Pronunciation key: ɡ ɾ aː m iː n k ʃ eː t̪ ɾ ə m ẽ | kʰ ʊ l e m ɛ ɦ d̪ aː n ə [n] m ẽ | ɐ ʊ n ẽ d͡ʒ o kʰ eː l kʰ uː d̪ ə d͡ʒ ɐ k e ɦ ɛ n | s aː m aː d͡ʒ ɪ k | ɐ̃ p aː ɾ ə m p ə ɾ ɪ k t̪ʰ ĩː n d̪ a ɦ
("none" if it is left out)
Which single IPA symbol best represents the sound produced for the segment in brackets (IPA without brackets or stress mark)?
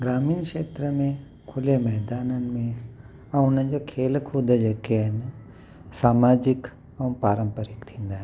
n